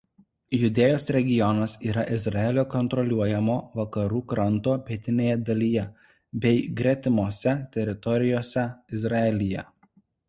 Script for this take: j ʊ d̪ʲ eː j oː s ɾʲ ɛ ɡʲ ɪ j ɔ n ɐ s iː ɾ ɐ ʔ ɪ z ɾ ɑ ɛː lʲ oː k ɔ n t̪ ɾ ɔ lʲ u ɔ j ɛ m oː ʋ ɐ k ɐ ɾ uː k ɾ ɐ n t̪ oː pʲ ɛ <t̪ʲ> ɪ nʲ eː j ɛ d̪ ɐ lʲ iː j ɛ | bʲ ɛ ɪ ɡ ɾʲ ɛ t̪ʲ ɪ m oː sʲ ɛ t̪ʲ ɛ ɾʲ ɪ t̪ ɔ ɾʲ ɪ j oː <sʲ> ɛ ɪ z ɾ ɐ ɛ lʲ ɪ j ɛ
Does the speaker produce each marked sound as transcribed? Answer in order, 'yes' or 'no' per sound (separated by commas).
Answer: yes, yes